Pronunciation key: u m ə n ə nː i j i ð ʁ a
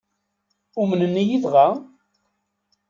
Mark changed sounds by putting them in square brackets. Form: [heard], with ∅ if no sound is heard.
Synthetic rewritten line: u m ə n ə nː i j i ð ʁ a